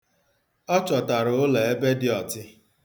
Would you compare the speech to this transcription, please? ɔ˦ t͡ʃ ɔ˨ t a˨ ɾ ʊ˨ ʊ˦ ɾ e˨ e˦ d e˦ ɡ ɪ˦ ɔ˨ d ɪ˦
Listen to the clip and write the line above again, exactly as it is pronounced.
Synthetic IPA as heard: ɔ˦ t͡ʃ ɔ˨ t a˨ ɾ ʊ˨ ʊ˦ l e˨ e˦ b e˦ d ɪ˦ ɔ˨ t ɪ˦